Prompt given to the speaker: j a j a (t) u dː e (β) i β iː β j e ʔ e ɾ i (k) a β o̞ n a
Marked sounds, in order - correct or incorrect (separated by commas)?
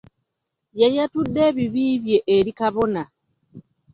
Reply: correct, correct, correct